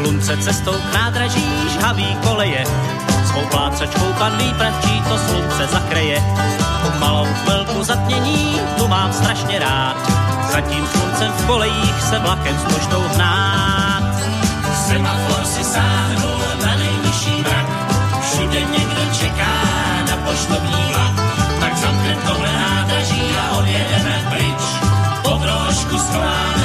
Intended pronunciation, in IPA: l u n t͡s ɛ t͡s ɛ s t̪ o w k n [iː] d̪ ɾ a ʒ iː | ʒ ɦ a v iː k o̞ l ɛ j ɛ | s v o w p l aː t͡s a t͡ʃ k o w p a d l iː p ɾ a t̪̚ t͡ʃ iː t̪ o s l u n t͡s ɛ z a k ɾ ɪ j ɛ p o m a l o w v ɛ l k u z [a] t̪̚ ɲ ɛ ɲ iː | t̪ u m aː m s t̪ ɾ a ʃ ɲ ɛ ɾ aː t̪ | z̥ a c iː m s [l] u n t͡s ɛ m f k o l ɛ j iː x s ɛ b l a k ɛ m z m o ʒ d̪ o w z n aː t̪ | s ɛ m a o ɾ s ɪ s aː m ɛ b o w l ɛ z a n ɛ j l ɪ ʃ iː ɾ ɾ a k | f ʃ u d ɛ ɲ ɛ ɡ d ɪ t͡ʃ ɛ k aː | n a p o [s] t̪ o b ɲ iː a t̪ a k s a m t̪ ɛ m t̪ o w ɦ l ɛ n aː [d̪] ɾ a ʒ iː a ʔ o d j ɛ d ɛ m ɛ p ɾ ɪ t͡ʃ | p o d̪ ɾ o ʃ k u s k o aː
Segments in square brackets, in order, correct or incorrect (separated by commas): incorrect, correct, correct, incorrect, correct